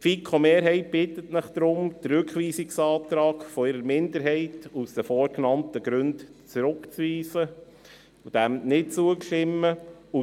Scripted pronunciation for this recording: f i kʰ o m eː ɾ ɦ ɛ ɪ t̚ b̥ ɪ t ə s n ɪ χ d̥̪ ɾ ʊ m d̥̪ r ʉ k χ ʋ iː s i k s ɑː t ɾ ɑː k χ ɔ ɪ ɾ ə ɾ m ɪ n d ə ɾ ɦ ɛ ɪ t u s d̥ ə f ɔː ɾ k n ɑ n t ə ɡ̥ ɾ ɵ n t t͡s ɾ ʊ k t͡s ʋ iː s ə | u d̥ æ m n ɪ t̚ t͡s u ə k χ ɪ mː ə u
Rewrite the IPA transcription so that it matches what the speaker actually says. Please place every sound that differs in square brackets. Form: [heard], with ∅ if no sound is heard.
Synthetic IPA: f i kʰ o m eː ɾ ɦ ɛ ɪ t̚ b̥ ɪ t ə [t] n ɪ χ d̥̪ ɾ ʊ m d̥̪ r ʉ k χ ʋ iː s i k s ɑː t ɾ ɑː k [f] ɔ ɪ ɾ ə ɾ m ɪ n d ə ɾ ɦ ɛ ɪ t u s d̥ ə f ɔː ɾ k n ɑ n t ə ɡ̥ ɾ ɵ n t t͡s ɾ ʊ k t͡s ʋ iː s ə | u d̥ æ m n ɪ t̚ t͡s u ə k [ʃ] ɪ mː ə u